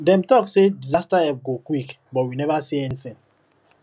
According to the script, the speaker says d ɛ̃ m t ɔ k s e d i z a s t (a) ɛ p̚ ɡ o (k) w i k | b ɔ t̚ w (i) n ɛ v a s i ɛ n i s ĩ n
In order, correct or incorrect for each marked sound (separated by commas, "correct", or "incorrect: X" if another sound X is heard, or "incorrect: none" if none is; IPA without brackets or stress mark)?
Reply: correct, correct, correct